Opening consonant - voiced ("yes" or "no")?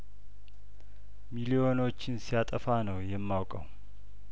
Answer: yes